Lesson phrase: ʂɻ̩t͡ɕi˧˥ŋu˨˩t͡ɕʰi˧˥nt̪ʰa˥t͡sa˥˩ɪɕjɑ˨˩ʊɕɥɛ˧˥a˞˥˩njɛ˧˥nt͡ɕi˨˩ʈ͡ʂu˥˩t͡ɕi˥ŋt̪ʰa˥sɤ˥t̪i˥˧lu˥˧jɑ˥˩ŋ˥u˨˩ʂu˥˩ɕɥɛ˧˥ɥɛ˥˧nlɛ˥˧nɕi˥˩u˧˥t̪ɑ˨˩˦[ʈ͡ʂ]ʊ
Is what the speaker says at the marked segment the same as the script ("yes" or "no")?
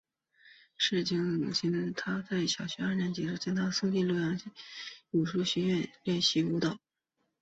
no